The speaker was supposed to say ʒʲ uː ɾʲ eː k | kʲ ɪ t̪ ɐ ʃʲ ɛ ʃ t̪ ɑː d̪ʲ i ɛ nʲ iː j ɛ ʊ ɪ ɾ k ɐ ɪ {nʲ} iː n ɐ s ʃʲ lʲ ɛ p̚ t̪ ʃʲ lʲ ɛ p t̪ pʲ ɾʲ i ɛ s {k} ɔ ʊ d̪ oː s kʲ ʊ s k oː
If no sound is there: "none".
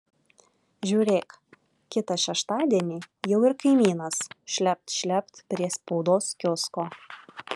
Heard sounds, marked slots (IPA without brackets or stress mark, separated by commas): mʲ, p